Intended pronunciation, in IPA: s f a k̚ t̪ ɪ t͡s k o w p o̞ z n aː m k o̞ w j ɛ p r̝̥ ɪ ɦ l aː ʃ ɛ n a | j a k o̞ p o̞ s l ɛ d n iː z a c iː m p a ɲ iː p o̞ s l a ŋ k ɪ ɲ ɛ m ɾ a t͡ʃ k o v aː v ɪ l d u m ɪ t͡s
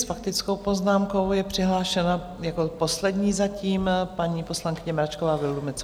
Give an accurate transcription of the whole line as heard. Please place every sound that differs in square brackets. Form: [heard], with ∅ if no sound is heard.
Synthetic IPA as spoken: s f a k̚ t̪ ɪ t͡s k o w p o̞ z n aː m k o̞ w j ɛ p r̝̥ ɪ ɦ l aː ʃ ɛ n a | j a k o̞ p o̞ s l ɛ d [ɲ] iː z a c iː m p a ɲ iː p o̞ s l a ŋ k ɪ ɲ ɛ m ɾ a t͡ʃ k o v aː v ɪ l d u m ɪ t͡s